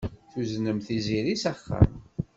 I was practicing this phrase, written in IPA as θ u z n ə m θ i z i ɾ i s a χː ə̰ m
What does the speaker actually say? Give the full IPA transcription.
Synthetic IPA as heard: θ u z n ə m θ i z i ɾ i s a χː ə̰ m